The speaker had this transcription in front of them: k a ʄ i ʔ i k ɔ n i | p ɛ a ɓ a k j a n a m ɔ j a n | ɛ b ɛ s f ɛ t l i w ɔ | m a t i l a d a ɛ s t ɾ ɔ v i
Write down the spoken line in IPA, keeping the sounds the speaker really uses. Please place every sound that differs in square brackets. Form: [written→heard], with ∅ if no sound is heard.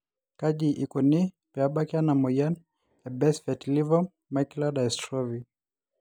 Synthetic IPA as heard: k a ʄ i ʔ i k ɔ n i | p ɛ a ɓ a k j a n a m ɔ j a n | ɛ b ɛ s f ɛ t l i [w→v] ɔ | m a [t→k] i l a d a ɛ s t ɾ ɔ v i